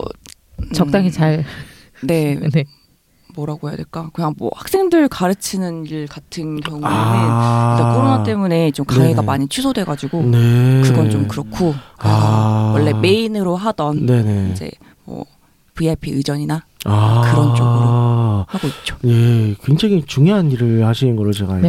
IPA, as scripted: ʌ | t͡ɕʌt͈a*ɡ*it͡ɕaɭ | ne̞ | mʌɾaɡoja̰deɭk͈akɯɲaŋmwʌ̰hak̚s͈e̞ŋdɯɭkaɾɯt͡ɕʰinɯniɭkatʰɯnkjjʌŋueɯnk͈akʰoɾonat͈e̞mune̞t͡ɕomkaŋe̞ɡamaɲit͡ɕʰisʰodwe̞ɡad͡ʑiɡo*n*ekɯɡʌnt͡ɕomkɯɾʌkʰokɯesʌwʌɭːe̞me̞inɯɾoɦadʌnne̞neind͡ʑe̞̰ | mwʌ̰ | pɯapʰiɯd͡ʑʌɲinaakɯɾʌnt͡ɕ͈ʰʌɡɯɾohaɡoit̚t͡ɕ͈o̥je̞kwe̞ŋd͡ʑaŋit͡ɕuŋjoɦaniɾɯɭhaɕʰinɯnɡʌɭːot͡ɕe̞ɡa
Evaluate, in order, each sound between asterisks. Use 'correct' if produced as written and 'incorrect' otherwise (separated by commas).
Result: incorrect, correct